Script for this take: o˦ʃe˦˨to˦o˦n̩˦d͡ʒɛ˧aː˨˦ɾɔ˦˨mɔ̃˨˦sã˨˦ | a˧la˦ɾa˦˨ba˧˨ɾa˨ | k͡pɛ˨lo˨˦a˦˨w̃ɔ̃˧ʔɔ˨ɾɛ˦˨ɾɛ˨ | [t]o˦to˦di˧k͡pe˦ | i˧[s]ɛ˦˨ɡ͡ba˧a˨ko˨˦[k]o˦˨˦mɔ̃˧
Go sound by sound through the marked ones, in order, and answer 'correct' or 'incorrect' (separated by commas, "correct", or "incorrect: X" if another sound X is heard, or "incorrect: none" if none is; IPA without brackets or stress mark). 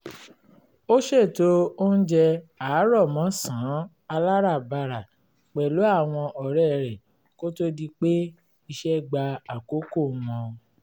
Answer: incorrect: k, incorrect: ʃ, correct